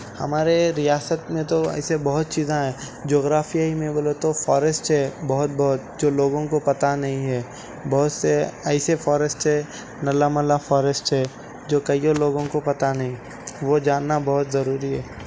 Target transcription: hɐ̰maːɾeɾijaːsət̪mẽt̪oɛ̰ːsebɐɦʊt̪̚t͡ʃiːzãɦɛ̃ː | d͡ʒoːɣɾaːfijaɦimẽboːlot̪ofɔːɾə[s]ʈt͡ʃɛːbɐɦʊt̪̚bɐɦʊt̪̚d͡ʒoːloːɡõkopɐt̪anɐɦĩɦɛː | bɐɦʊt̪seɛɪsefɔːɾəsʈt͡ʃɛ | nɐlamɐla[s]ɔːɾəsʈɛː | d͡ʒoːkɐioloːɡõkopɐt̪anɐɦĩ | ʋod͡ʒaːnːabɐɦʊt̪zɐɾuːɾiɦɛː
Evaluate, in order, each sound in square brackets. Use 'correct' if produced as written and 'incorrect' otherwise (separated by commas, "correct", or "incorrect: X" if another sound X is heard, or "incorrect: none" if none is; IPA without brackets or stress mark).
correct, incorrect: f